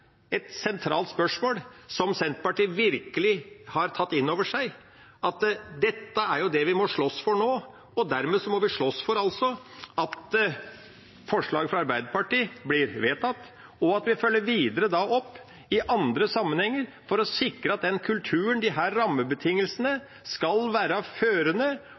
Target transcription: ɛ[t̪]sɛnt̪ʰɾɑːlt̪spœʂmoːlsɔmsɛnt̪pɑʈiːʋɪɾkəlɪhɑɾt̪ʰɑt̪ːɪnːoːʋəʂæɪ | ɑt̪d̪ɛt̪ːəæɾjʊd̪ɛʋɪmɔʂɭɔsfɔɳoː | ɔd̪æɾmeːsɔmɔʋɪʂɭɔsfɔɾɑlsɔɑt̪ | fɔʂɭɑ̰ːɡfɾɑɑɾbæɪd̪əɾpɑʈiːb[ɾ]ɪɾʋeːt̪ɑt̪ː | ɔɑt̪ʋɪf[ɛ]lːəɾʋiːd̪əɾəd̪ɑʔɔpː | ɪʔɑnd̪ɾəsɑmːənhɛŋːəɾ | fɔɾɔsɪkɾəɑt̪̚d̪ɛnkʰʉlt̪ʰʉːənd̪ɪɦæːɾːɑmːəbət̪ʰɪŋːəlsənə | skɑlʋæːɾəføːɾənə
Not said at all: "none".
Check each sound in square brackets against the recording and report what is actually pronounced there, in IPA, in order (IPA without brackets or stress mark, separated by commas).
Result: t̪, l, œ